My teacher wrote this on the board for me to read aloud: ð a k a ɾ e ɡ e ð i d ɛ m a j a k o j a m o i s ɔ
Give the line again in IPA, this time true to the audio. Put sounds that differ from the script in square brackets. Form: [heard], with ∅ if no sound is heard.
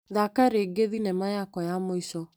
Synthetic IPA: ð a k a ɾ e ɡ e ð i [n] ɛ m a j a k [ɔ] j a m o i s ɔ

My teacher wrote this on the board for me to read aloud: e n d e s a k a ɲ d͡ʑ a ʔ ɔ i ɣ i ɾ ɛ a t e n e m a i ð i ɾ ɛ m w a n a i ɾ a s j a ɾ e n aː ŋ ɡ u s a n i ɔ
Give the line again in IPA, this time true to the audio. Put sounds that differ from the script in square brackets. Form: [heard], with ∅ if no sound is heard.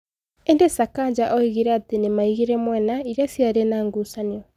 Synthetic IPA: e n d e s a k a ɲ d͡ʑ a ʔ ɔ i ɣ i ɾ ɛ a t e n e m a i [ɣ] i ɾ ɛ m w [ɛ] n a i ɾ a s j a ɾ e n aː ŋ ɡ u s a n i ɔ

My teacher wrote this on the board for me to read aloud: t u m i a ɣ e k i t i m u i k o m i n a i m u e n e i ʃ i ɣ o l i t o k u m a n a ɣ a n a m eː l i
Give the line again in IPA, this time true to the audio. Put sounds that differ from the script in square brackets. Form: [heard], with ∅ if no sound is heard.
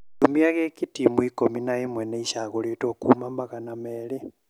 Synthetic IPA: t u m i a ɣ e k i t i m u i k o m i n a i m [w] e n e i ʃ [a] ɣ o l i t o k u m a [m] a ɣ a n a m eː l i

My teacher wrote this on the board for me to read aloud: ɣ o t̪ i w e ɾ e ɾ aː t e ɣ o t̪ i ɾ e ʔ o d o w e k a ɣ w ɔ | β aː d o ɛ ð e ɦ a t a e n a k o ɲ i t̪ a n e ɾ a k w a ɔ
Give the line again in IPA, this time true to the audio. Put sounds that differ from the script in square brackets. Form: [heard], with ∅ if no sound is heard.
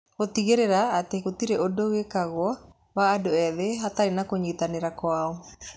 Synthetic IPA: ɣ o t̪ i [ɣ] e ɾ e ɾ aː t e ɣ o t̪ i ɾ e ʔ o d o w e k a ɣ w ɔ | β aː d o ɛ ð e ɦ a t a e n a k o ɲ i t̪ a n e ɾ a k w a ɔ

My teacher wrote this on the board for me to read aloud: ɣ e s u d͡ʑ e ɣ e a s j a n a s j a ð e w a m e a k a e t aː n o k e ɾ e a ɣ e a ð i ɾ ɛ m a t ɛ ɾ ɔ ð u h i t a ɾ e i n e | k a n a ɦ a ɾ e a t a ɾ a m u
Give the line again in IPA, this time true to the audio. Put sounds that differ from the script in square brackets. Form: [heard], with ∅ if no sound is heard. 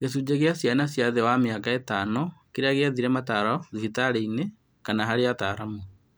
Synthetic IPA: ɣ e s u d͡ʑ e ɣ e a s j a n a s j a ð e w a m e a k a e t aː n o k e ɾ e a ɣ e a ð i ɾ ɛ m a t [a] ɾ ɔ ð u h i t a ɾ e i n e | k a n a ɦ a ɾ e a t a ɾ a m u

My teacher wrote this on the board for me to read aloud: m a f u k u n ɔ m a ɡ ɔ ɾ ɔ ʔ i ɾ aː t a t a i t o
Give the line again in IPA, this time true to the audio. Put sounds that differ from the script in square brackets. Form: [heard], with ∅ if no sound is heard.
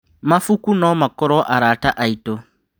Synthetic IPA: m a f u k u n ɔ m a [k] ɔ ɾ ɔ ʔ [a] ɾ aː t a [ʔ] a i t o

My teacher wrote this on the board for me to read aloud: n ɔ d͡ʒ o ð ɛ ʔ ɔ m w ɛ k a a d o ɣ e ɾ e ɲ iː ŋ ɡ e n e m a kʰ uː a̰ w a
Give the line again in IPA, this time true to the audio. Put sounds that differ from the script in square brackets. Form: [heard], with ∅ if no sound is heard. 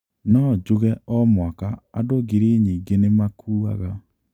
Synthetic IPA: n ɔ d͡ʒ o [ɣ] ɛ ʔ ɔ m w [a] k a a d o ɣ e ɾ e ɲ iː ŋ ɡ e n e m a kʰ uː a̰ [ɣ] a

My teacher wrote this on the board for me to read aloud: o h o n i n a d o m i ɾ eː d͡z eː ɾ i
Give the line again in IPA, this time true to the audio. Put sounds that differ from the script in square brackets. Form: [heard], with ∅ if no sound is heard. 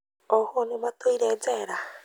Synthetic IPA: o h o n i [m] a [t] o [∅] i ɾ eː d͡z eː ɾ [a]

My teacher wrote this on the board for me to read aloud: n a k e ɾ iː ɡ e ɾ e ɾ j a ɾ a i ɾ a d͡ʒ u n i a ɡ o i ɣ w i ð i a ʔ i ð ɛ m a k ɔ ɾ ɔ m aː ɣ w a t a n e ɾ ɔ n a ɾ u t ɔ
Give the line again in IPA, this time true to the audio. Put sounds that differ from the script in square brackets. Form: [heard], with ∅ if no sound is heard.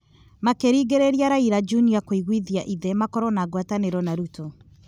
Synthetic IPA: [m] a k e ɾ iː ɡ e ɾ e ɾ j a ɾ a i ɾ a d͡ʒ u n i a [k] o i ɣ w i ð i a ʔ i ð ɛ m a k ɔ ɾ ɔ [n] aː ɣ w a t a n e ɾ ɔ n a ɾ u t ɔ

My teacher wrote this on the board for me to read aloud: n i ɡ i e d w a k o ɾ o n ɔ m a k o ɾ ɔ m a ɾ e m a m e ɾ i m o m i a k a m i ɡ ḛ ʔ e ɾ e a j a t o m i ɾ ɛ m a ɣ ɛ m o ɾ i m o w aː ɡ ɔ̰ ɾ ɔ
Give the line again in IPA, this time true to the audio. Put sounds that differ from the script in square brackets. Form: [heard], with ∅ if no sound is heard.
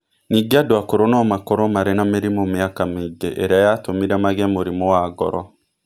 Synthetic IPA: n i ɡ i [a] d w a k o ɾ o n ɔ m a k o ɾ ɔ m a ɾ e [n] a m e ɾ i m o m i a k a m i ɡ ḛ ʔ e ɾ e a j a t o m i ɾ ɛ m a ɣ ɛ m o ɾ i m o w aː ɡ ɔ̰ ɾ ɔ

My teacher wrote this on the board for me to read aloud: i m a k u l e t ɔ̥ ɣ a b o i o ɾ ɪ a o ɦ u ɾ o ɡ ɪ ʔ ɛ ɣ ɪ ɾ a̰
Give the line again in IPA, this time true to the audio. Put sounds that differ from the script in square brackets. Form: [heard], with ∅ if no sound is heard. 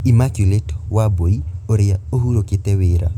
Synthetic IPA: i m a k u l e t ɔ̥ [w] a b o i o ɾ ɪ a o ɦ u ɾ o [k] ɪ [t] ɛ [w] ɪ ɾ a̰

